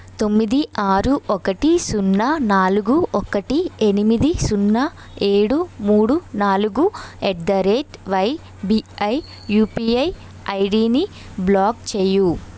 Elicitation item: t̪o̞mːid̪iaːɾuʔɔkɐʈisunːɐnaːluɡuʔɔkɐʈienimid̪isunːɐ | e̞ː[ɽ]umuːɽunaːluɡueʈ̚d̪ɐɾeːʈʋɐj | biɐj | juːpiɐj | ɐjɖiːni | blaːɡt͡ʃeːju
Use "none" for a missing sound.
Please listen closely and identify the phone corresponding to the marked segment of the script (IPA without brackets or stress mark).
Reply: ɽ